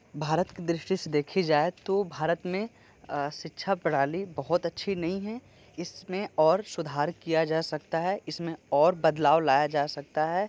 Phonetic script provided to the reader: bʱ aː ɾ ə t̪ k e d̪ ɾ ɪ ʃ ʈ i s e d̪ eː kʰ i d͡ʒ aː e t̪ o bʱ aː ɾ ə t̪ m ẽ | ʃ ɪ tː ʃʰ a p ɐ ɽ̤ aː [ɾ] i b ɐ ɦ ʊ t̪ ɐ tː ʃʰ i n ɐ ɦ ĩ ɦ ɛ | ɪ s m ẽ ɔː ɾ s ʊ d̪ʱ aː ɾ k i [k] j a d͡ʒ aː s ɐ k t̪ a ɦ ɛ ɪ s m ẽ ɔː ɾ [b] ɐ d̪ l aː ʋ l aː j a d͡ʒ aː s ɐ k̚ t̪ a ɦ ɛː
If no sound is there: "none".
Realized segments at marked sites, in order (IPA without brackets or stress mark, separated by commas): l, none, b